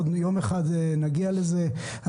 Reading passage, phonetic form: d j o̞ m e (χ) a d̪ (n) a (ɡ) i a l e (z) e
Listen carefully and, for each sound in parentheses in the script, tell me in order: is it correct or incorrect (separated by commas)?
correct, correct, correct, correct